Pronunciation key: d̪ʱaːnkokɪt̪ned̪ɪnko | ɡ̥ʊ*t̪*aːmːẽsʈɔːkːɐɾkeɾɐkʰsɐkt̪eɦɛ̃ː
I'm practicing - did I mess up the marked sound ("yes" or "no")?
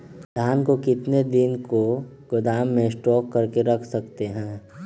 yes